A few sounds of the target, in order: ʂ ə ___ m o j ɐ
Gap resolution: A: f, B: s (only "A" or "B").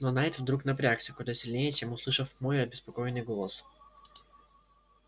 A